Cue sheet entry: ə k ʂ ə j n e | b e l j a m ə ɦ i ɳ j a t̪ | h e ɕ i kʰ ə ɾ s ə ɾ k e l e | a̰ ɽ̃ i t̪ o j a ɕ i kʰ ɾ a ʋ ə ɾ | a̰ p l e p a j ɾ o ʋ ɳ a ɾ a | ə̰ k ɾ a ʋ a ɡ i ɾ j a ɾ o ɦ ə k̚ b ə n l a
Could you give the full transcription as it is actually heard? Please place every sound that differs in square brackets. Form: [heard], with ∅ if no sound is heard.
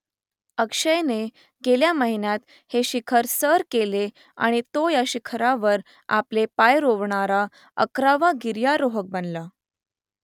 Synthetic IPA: ə k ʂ ə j n e | [ɡ] e l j a m ə ɦ i [n] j a t̪ | h e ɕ i kʰ ə ɾ s ə ɾ k e l e | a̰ ɽ̃ i t̪ o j a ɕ i kʰ ɾ a ʋ ə ɾ | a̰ p l e p a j ɾ o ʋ ɳ a ɾ a | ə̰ k ɾ a ʋ a ɡ i ɾ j a ɾ o ɦ ə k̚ b ə n l a